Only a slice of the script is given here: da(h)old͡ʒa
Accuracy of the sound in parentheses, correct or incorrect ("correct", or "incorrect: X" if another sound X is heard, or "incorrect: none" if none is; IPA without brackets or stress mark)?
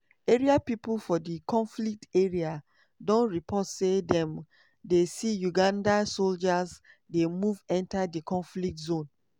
incorrect: s